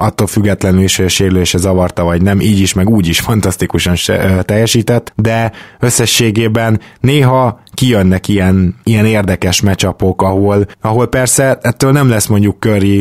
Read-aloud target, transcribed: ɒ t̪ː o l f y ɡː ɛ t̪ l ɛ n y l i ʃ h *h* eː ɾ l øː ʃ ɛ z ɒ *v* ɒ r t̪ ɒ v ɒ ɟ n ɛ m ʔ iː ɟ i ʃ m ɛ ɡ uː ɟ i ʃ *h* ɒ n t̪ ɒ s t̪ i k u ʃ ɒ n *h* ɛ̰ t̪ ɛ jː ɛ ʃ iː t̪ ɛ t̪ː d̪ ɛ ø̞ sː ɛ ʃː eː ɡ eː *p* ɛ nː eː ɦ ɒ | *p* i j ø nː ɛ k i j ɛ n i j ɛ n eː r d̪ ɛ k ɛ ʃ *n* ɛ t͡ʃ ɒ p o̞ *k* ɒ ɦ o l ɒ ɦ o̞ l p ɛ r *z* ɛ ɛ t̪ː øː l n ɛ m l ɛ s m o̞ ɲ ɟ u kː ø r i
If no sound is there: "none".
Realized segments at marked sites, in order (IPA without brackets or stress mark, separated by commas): ʃ, v, f, ʃ, b, k, m, k, s